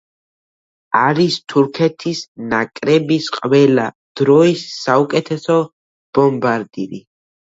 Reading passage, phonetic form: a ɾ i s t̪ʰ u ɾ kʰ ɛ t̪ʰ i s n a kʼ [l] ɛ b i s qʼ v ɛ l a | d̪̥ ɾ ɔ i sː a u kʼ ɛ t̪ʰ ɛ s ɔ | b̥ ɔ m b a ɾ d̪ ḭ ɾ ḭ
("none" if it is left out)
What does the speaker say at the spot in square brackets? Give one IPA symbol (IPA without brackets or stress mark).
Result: ɾ